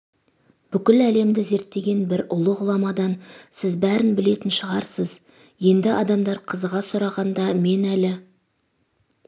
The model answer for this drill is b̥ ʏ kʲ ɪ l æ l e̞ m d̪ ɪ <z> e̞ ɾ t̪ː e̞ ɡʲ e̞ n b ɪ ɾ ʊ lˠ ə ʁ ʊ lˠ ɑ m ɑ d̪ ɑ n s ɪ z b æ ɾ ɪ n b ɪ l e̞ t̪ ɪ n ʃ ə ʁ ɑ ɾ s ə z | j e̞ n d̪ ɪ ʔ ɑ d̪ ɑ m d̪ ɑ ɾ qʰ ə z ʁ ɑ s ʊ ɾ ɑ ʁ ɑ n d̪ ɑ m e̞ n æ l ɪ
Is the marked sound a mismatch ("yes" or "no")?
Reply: no